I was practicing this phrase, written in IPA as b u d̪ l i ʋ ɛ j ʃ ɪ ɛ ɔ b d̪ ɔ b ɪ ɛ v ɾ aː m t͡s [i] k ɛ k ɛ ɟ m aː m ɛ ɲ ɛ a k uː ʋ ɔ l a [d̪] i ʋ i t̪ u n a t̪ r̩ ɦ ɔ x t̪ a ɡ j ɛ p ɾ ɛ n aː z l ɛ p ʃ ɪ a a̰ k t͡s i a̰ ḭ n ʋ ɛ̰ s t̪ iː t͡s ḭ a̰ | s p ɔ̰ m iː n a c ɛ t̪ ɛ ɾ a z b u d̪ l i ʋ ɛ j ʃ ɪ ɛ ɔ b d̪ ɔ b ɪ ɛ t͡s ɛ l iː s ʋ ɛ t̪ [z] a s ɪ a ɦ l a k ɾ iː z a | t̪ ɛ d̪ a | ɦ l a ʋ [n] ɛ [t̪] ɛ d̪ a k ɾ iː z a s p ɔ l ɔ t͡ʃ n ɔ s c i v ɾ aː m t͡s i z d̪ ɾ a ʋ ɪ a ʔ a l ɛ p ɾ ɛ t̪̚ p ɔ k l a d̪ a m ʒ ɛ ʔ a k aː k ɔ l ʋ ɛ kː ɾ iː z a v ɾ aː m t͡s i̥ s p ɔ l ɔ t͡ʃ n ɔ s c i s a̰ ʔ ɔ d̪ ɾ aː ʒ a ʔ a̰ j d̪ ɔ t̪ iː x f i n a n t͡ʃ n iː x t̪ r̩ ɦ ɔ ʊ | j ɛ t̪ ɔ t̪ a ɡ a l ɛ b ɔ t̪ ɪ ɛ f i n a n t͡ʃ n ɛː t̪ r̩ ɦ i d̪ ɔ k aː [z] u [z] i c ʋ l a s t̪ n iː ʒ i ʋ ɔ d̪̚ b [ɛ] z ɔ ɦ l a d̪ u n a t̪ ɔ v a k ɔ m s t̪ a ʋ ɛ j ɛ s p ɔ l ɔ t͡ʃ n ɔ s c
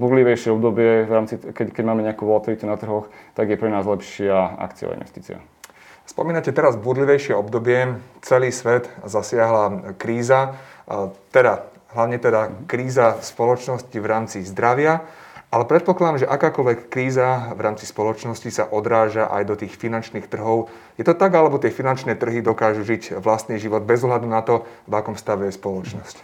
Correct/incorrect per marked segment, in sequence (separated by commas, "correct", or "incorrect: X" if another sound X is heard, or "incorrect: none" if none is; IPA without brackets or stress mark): correct, incorrect: t̪, correct, incorrect: ɲ, correct, incorrect: ʒ, incorrect: ʒ, correct